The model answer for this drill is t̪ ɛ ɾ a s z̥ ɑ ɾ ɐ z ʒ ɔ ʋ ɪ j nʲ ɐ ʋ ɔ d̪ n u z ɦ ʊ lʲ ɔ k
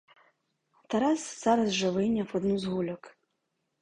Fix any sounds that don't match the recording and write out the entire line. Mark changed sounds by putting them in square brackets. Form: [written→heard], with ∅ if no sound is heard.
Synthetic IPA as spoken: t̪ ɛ ɾ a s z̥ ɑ ɾ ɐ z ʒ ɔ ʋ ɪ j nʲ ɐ [ʋ→w] ɔ d̪ n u z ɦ [ʊ→u] lʲ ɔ k